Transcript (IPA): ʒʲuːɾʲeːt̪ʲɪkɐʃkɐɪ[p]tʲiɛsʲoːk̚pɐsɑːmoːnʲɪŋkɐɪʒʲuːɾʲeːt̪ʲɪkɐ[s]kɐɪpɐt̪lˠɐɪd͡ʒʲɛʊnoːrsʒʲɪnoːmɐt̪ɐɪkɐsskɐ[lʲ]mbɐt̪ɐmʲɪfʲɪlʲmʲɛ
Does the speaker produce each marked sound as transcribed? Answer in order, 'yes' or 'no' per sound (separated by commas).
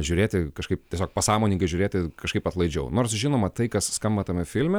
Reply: yes, no, no